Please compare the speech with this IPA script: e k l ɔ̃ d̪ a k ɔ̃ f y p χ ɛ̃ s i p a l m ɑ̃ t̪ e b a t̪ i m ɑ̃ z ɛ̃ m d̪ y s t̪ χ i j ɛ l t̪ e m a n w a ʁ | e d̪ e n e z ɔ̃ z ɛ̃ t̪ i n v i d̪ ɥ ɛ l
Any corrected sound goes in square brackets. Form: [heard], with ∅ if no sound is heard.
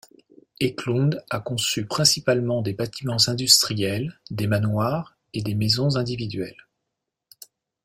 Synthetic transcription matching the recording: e k l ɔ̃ d̪ a k ɔ̃ [s] y p χ ɛ̃ s i p a l m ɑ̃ [d̪] e b a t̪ i m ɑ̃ z ɛ̃ [∅] d̪ y s t̪ χ i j ɛ l [d̪] e m a n w a ʁ | e d̪ e [m] e z ɔ̃ z ɛ̃ [d̪] i [∅] v i d̪ ɥ ɛ l

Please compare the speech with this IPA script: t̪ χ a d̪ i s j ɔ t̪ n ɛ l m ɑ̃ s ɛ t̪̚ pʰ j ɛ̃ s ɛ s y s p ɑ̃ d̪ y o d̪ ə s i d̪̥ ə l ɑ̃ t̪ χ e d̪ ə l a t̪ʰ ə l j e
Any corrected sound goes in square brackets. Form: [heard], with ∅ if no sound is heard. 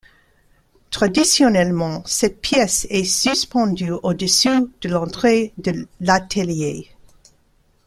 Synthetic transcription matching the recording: t̪ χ a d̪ i s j ɔ [∅] n ɛ l m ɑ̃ s ɛ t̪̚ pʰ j [ɛ] s ɛ s y s p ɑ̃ d̪ y o d̪ ə s [y] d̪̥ ə l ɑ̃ t̪ χ e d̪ ə l a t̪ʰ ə l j e

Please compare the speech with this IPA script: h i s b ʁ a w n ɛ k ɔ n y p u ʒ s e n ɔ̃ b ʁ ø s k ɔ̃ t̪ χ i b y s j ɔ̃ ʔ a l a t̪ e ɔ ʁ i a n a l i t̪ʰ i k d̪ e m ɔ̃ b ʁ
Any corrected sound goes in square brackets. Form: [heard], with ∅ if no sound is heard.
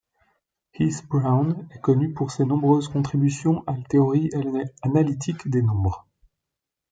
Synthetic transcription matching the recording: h i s b ʁ a w n ɛ k ɔ n y p u [ʁ] s e n ɔ̃ b ʁ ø [z] k ɔ̃ t̪ χ i b y s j ɔ̃ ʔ a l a t̪ e ɔ ʁ i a n a l i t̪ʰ i k d̪ e [n] ɔ̃ b ʁ

